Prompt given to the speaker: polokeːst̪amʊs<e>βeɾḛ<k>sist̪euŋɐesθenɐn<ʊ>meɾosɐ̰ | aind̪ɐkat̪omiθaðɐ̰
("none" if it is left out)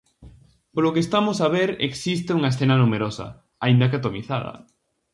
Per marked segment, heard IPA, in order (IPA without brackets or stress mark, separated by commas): a, k, u